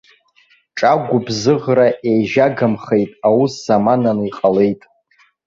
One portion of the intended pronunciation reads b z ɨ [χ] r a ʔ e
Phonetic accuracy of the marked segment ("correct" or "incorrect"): incorrect